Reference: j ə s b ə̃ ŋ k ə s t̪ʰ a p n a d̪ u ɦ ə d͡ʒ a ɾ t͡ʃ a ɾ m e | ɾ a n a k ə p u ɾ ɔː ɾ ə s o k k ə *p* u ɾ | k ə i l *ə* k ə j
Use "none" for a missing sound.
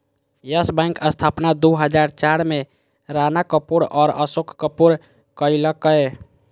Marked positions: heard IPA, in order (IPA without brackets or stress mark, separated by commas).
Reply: p, ə